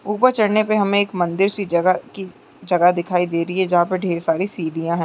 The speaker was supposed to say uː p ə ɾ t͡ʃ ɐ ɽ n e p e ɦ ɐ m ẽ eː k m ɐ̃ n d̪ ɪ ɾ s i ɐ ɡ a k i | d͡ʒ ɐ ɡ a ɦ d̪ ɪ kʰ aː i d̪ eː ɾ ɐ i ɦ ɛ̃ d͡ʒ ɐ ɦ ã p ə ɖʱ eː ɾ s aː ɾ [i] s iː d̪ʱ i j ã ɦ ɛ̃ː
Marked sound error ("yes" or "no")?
no